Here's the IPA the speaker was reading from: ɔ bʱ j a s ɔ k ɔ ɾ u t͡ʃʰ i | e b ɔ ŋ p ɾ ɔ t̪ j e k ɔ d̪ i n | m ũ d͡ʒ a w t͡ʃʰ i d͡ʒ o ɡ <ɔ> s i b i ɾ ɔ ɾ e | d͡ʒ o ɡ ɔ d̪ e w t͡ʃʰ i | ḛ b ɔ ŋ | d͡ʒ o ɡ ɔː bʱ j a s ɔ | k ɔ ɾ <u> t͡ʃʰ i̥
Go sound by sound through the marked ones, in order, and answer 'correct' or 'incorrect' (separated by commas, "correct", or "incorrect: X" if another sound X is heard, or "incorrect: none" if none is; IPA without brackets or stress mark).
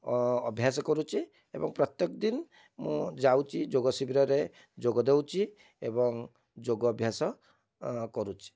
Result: correct, correct